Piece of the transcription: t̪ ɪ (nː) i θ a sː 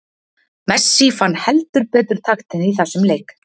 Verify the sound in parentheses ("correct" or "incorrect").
incorrect